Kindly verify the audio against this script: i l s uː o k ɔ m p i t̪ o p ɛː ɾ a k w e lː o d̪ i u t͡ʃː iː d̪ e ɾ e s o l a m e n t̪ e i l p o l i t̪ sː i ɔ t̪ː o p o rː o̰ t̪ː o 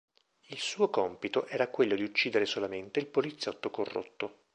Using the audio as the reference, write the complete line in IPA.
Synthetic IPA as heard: i l s uː o k ɔ m p i t̪ o ʔ ɛː ɾ a k w e lː o d̪ i u t͡ʃː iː d̪ e ɾ e s o l a m e n t̪ e i l p o l i t̪ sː j ɔ t̪ː o k o rː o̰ t̪ː o